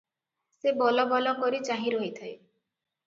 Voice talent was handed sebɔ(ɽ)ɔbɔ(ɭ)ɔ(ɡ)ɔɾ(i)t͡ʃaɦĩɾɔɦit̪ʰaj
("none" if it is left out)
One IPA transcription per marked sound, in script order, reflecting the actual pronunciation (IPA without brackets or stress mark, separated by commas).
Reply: l, l, k, i